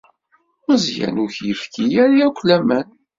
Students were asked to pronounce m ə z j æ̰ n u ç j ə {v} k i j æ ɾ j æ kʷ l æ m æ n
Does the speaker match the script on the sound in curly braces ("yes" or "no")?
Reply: no